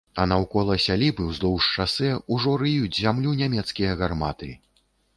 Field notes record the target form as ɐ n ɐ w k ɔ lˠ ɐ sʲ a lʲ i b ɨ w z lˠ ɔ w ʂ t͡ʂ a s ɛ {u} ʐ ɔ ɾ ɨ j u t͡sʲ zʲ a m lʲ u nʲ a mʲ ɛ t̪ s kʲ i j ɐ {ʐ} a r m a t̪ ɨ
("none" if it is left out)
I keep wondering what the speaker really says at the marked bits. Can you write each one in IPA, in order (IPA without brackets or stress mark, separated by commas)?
u, ɣ